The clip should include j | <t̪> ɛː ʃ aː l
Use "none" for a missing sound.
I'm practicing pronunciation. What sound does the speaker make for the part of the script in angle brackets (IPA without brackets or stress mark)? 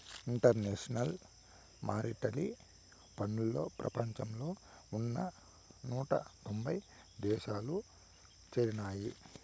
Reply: d̪